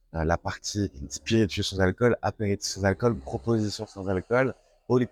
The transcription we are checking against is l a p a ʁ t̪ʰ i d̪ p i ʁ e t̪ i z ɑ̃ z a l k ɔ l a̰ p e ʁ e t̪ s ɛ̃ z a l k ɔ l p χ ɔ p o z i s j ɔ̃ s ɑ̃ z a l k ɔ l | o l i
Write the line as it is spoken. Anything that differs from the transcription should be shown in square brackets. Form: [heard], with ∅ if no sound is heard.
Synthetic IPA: l a p a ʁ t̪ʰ i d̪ p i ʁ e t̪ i [s] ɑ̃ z a l k ɔ l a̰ p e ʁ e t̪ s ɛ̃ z a l k ɔ l p χ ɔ p o z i s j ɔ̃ s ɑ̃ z a l k ɔ l | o l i